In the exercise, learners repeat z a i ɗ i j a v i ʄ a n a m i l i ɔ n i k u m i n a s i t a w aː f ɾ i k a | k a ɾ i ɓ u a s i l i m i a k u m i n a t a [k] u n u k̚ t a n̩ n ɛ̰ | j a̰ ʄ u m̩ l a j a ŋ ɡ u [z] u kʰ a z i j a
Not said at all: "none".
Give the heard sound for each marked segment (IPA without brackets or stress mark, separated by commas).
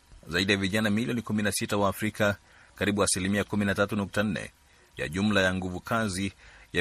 t, v